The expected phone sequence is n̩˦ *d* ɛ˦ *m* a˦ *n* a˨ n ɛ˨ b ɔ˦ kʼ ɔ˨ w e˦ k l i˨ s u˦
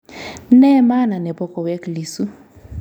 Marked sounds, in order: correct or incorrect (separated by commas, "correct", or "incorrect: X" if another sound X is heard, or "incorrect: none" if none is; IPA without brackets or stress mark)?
incorrect: n, correct, correct